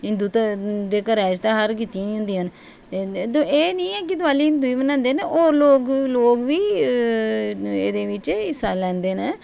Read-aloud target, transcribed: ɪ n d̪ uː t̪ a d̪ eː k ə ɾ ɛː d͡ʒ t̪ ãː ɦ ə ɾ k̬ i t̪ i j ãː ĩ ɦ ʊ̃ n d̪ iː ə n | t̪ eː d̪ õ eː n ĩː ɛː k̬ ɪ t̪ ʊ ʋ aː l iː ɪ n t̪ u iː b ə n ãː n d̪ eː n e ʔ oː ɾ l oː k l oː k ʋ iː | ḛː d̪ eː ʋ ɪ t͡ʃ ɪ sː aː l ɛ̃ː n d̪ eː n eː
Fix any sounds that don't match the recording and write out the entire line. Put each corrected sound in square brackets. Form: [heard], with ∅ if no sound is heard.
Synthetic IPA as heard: ɪ n d̪ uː t̪ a d̪ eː k ə ɾ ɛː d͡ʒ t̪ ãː ɦ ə ɾ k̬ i t̪ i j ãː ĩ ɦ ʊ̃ n d̪ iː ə n | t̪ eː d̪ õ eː n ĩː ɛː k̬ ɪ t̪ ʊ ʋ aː l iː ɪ n [d̪] u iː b ə n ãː n d̪ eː n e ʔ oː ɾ l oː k l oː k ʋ iː | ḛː d̪ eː ʋ ɪ t͡ʃ ɪ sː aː l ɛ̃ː n d̪ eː n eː